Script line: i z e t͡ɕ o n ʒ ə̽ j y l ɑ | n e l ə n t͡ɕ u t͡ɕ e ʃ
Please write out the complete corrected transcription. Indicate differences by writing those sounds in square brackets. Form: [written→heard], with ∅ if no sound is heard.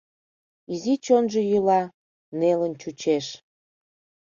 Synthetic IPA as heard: i z [e→i] t͡ɕ o n ʒ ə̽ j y l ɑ | n e l ə n t͡ɕ u t͡ɕ e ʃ